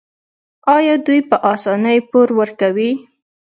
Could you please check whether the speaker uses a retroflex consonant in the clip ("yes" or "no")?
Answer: no